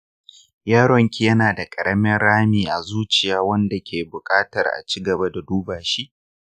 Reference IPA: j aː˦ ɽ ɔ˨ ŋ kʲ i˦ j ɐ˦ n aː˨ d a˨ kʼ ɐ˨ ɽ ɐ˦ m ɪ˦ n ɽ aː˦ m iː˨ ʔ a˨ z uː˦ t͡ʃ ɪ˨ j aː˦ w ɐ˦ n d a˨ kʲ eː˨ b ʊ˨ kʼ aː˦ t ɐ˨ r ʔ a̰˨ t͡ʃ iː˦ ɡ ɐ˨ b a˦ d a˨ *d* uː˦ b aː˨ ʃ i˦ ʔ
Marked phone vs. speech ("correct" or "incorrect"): correct